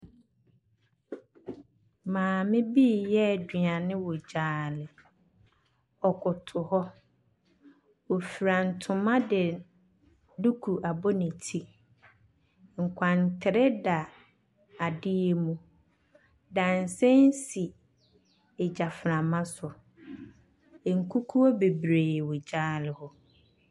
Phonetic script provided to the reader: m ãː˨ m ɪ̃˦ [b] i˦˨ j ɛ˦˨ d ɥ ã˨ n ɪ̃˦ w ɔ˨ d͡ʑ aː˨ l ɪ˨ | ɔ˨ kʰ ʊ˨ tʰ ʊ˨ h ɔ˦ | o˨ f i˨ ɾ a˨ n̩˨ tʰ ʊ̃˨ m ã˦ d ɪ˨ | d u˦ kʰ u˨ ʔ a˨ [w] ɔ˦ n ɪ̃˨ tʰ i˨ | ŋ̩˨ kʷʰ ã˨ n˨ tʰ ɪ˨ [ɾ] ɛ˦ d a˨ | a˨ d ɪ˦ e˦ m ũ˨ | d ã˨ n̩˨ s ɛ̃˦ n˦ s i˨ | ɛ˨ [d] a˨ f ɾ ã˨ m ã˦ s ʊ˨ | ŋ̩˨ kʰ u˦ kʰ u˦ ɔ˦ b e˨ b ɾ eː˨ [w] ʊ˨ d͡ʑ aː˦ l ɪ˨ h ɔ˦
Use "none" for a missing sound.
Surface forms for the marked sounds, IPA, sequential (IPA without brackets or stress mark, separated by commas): b, b, ɾ, d͡ʑ, w